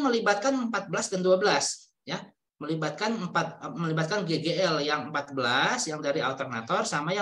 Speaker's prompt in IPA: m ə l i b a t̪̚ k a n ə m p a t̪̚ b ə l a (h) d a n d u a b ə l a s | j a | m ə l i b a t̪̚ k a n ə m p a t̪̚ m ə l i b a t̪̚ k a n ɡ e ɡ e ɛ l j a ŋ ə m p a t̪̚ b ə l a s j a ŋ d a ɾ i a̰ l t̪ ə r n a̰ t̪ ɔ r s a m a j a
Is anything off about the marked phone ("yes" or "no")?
yes